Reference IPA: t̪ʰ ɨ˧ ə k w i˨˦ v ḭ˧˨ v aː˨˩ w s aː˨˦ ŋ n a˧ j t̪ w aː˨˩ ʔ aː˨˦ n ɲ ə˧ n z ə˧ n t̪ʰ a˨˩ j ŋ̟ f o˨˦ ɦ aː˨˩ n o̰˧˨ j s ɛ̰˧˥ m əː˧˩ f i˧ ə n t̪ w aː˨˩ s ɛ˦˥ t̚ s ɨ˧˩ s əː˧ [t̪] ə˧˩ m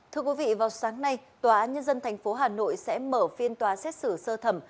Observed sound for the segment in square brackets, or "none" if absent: t̪ʰ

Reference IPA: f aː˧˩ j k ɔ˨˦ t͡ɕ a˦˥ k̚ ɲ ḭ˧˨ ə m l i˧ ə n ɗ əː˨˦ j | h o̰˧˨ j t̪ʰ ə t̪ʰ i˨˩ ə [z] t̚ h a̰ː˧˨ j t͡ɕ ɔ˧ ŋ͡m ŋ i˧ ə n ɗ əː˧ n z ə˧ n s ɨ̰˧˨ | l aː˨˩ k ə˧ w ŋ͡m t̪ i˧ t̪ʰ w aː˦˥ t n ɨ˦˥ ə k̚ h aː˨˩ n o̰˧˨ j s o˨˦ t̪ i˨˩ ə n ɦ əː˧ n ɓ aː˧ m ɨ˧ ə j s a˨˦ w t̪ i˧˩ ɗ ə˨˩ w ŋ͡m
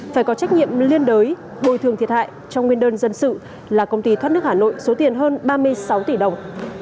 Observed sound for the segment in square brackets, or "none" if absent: none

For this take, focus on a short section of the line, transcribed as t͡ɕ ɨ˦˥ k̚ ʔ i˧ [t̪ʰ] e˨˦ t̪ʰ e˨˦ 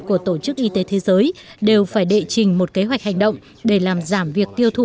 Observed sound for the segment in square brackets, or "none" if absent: t̪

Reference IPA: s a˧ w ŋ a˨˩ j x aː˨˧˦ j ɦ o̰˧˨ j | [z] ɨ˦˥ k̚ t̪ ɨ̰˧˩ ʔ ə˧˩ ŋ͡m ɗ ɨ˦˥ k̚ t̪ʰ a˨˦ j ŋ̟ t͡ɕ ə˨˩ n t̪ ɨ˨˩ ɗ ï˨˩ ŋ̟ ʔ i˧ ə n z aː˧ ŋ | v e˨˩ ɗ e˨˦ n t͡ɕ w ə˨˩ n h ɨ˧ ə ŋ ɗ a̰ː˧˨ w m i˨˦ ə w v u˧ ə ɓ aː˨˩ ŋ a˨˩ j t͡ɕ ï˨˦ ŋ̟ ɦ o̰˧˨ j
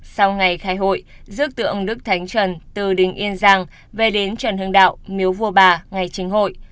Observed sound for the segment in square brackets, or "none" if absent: z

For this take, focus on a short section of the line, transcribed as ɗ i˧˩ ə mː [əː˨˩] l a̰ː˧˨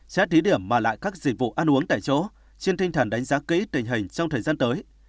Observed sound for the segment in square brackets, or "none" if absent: aː˨˩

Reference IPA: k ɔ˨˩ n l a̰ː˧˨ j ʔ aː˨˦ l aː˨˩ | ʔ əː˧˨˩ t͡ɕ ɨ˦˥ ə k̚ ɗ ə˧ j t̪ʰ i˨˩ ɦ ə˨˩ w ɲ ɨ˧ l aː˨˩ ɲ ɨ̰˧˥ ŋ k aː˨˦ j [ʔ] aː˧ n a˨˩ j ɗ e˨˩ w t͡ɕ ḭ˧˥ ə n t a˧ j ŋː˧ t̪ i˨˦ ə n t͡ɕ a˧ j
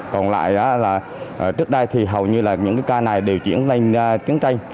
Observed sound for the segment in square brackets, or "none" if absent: k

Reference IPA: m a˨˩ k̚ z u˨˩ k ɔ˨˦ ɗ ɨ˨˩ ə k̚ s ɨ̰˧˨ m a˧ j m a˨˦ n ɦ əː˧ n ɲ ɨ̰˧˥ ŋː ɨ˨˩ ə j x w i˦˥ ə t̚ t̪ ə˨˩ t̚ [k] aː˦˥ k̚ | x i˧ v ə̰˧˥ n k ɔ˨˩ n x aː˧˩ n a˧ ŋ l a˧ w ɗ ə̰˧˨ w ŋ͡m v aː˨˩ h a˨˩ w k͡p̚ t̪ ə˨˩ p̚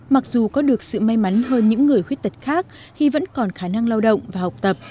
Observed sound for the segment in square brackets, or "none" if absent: x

